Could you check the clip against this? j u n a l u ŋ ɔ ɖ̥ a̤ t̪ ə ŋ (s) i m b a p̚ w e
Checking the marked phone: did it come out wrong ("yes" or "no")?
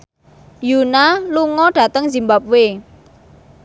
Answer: yes